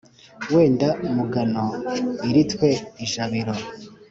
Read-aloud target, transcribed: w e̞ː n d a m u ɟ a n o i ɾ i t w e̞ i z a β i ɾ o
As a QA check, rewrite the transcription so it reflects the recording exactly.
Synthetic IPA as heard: w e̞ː n d a m u ɡ a n o i ɾ i t w e̞ i ʒ a β i ɾ o

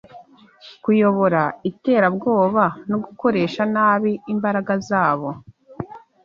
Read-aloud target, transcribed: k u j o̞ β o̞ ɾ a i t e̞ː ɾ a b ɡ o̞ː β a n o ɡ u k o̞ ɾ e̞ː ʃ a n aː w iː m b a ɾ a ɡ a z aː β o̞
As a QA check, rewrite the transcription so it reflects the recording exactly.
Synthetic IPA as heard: k u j o̞ β o̞ ɾ a i t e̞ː ɾ a b ɡ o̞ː β a n o ɡ u k o̞ ɾ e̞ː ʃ a n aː β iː m b a ɾ a ɡ a z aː β o̞

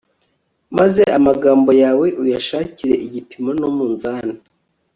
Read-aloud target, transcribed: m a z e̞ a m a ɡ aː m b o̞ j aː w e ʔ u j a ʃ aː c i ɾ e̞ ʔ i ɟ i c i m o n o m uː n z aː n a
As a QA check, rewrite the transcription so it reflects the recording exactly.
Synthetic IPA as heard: m a z e̞ a m a ɡ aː m b o̞ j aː w e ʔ u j a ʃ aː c i ɾ e̞ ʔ i ɟ i p i m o n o m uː n z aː n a

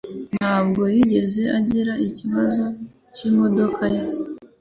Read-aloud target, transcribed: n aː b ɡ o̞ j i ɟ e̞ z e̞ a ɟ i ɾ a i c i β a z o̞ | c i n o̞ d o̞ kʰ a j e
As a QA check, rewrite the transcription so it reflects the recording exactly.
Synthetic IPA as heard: n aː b ɡ o̞ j i ɟ e̞ z e̞ a ɟ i ɾ a i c i β a z o̞ | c i m o̞ d o̞ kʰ a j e

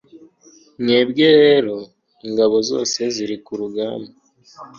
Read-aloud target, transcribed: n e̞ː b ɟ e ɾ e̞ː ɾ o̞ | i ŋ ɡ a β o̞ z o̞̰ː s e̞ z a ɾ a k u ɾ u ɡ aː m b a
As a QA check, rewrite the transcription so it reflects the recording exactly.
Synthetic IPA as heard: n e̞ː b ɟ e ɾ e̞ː ɾ o̞ | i ŋ ɡ a β o̞ z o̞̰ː s e̞ z i ɾ i k u ɾ u ɡ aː m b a

